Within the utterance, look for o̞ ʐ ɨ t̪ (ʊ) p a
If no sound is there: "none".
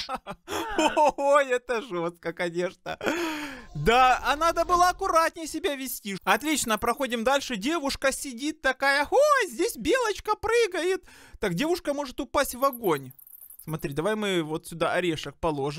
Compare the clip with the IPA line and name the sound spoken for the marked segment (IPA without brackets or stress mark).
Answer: ʊ